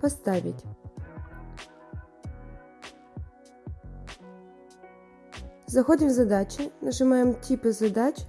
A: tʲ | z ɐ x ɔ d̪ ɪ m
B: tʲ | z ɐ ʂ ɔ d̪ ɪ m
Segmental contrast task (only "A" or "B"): A